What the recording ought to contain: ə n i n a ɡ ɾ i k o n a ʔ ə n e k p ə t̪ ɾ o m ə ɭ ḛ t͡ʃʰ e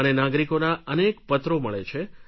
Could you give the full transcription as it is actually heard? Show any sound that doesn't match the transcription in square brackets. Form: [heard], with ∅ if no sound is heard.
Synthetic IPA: ə n [e] n a ɡ ɾ i k o n a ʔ ə n e k p ə t̪ ɾ o m ə ɭ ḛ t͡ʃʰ e